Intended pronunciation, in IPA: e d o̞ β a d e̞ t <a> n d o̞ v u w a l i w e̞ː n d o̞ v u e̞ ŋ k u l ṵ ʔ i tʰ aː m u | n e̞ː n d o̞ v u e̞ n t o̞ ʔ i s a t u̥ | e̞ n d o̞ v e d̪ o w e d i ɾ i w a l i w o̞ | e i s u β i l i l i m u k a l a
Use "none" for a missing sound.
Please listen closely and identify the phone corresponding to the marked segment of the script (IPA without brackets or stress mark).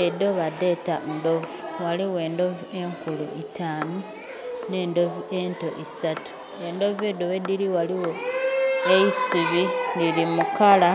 a